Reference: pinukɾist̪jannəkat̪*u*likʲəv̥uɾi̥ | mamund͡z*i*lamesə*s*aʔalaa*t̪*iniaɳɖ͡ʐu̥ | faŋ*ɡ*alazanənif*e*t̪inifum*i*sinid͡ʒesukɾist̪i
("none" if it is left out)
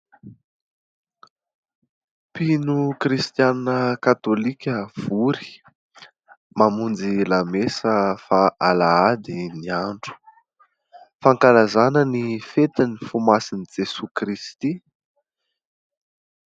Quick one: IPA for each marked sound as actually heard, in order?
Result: o, i, f, d̪, k, e, a

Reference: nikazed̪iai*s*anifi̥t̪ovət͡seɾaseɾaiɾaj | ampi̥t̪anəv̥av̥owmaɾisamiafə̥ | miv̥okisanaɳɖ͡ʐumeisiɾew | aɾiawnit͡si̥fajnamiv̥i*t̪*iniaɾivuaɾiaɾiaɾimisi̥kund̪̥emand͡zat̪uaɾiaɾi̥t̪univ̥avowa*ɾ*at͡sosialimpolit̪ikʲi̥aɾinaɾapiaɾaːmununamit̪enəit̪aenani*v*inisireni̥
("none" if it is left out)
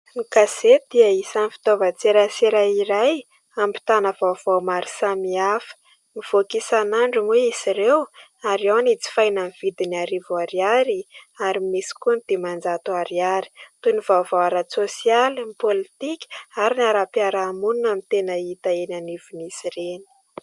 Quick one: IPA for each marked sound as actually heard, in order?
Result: s, d̪, ɾ, v

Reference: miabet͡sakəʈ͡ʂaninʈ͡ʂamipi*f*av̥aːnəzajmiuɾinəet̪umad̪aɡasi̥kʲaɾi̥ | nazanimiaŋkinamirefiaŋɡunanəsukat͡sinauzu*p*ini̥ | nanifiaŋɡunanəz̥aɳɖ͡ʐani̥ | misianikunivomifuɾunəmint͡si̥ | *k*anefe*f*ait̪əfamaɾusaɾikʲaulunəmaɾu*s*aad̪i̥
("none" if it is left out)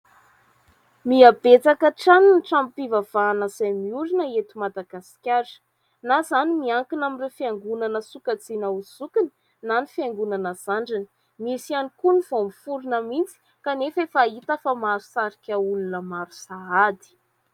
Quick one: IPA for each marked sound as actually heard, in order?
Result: v, k, k, f, s

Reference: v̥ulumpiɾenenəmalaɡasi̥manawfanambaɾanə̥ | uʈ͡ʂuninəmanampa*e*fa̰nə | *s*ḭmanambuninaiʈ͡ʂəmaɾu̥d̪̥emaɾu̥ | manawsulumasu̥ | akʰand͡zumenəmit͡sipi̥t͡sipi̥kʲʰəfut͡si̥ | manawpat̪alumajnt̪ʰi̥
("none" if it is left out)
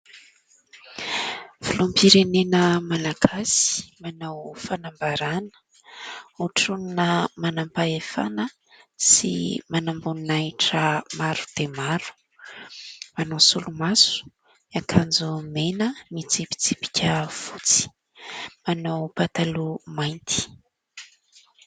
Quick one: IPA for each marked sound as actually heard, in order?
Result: e, s

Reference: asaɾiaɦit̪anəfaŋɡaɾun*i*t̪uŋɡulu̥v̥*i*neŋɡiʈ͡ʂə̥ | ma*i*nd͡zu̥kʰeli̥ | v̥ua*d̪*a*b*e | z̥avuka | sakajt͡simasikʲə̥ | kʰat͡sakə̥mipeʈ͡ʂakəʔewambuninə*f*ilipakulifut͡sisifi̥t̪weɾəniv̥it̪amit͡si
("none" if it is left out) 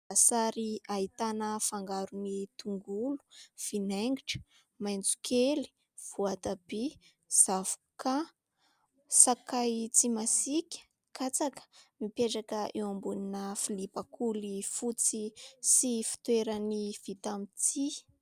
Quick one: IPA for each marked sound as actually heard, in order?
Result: i, i, j, t̪, b, f

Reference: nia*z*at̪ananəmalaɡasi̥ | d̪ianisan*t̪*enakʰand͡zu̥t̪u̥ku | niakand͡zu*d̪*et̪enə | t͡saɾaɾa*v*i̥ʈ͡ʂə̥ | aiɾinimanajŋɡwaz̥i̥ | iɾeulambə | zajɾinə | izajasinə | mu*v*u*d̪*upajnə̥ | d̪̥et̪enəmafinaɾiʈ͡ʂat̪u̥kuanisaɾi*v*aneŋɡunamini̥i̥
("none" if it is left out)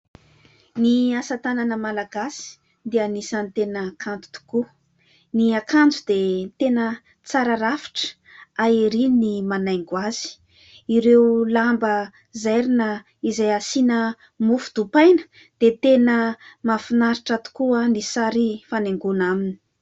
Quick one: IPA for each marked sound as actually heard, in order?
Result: s, t̪, d̪, f, f, d̪, f

